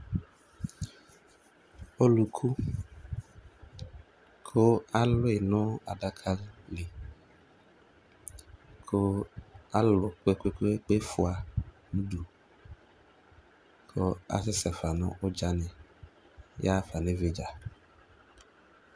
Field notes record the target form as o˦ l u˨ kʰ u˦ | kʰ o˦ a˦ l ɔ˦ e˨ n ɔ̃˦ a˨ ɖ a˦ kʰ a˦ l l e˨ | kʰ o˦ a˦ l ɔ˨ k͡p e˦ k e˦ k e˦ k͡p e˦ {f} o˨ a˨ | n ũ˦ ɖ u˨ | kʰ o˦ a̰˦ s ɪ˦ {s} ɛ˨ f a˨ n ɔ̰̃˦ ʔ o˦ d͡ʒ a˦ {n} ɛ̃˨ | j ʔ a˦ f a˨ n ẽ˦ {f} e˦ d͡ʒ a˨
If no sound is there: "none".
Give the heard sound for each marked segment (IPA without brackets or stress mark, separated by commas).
f, s, n, v